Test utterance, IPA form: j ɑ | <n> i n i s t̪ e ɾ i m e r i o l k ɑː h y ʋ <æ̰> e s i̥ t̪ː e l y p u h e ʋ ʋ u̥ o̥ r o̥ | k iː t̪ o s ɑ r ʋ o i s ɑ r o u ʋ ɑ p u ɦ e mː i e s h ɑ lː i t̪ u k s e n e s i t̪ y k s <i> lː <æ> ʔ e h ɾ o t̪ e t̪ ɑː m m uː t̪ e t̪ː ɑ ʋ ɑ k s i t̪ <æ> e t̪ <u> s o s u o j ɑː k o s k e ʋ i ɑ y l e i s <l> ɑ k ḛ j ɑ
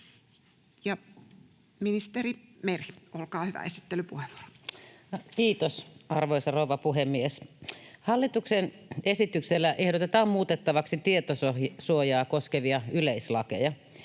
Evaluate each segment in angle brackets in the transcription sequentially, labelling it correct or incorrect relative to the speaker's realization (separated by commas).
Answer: incorrect, correct, incorrect, correct, incorrect, incorrect, correct